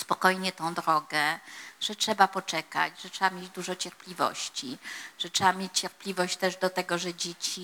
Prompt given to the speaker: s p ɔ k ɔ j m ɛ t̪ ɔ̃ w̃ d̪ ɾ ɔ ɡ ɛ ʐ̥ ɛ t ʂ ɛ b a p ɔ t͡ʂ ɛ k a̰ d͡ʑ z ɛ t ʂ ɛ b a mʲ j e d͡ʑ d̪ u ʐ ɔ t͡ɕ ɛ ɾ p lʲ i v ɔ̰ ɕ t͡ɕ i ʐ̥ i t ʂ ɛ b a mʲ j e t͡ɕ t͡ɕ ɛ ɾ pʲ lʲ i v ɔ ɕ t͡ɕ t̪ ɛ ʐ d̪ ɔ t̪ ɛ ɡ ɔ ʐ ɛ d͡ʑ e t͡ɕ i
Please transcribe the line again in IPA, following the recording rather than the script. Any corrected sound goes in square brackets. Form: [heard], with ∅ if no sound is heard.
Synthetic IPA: s p ɔ k ɔ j [ɲ] ɛ t̪ ɔ̃ w̃ d̪ ɾ ɔ ɡ ɛ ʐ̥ ɛ t ʂ ɛ b a p ɔ t͡ʂ ɛ k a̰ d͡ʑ [ʐ] ɛ t ʂ ɛ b a mʲ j e d͡ʑ d̪ u ʐ ɔ t͡ɕ ɛ ɾ p lʲ i v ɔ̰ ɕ t͡ɕ i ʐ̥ [ɛ] t ʂ ɛ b a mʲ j e t͡ɕ t͡ɕ ɛ ɾ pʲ lʲ i v ɔ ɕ t͡ɕ t̪ ɛ ʐ d̪ ɔ t̪ ɛ ɡ ɔ ʐ ɛ d͡ʑ e t͡ɕ i